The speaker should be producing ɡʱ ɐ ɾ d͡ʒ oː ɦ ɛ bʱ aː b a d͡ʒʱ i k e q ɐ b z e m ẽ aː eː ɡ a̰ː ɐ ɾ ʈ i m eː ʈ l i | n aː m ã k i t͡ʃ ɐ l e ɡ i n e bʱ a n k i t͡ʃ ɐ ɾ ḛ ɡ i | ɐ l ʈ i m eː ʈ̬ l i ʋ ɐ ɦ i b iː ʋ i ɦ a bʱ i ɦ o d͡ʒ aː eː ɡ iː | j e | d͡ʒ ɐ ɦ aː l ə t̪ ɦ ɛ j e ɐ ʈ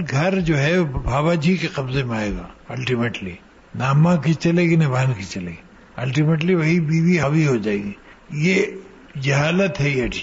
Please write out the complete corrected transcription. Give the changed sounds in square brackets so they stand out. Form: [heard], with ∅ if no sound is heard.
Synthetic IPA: ɡʱ ɐ ɾ d͡ʒ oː ɦ ɛ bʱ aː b a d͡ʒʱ i k e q ɐ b z e m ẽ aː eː ɡ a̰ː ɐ [l] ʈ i m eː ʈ l i | n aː m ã k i t͡ʃ ɐ l e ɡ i n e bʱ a n k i t͡ʃ ɐ [l] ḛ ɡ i | ɐ l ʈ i m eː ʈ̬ l i ʋ ɐ ɦ i b iː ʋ i ɦ a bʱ i ɦ o d͡ʒ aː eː ɡ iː | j e | d͡ʒ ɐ ɦ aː l ə t̪ ɦ ɛ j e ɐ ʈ